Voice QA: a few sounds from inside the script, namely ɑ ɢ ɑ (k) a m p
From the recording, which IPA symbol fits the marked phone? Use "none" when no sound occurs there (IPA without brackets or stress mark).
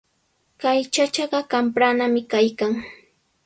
k